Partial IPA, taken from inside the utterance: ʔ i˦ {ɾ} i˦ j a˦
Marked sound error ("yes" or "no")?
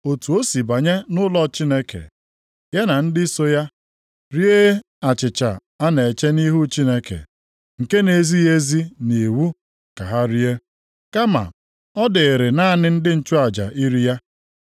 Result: no